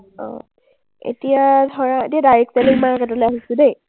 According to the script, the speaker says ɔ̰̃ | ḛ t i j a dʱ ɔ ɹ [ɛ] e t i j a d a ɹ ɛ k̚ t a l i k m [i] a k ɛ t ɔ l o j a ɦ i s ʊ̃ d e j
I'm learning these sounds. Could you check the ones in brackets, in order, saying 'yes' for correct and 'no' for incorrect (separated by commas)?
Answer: no, no